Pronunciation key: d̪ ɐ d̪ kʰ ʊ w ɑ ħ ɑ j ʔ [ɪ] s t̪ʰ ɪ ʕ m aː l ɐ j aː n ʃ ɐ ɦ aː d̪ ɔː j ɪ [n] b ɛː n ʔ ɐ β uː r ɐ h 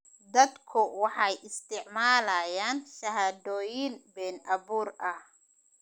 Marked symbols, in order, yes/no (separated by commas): yes, yes